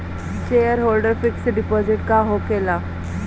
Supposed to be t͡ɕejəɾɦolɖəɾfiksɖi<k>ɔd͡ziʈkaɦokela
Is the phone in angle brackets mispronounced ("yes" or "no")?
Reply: yes